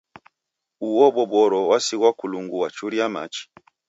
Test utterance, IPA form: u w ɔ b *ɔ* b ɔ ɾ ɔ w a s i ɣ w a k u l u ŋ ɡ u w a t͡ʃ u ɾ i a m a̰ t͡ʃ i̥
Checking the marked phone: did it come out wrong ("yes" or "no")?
no